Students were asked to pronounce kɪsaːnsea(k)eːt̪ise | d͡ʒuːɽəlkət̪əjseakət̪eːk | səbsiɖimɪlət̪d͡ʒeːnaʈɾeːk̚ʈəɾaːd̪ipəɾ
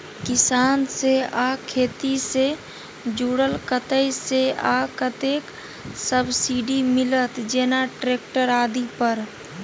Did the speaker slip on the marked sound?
yes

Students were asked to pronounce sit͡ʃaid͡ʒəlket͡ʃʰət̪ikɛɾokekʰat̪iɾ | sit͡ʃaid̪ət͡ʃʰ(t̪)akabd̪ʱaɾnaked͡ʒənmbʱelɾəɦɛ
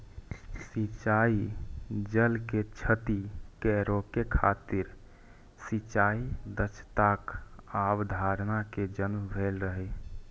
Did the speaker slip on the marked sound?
no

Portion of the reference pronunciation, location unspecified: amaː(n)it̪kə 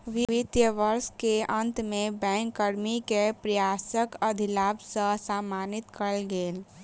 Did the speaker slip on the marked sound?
no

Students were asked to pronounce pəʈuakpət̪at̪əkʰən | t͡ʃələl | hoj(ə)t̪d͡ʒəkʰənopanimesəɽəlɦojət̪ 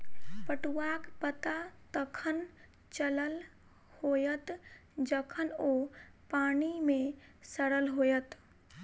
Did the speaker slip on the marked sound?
no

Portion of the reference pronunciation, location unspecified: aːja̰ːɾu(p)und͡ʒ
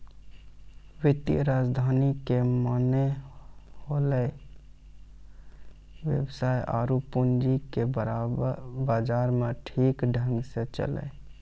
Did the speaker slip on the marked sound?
no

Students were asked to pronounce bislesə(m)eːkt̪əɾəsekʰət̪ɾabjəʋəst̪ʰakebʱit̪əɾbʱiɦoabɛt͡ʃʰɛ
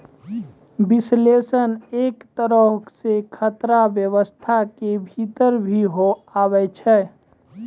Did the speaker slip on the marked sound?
yes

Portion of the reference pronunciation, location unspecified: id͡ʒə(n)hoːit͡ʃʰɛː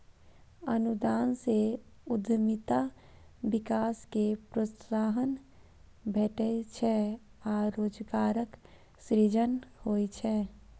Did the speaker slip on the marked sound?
no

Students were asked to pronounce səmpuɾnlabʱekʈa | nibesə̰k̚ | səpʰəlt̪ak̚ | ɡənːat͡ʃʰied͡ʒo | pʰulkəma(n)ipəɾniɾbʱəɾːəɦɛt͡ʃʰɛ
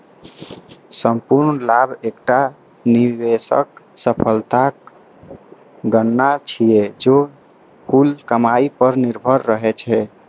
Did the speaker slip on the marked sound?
yes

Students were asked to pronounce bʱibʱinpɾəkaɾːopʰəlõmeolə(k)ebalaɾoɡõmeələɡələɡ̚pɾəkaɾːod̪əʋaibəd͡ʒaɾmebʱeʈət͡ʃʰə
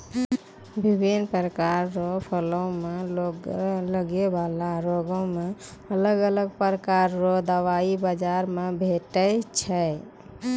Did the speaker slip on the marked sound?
yes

